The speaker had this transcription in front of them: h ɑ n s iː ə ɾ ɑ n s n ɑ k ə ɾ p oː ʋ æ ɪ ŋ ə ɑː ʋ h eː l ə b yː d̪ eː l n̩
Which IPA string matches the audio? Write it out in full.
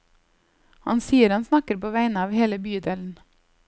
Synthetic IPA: h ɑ n s iː ə ɾ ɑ n s n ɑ k ə ɾ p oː ʋ æ ɪ n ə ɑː ʋ h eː l ə b yː d̪ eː l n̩